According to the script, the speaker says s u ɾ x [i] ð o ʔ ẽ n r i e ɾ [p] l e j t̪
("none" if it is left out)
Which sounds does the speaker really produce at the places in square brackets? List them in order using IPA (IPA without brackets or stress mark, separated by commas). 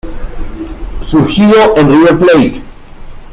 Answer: i, p